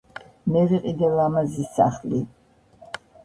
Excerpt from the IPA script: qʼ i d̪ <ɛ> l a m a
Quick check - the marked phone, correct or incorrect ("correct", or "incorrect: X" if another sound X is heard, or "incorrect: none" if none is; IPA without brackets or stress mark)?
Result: correct